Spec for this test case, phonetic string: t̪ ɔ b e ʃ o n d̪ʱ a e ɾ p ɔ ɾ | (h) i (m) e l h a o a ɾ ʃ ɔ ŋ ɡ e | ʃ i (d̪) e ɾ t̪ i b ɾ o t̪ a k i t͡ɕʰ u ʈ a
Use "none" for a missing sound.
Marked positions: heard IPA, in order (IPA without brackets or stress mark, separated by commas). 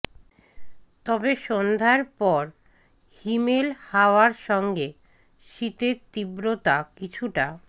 h, m, t̪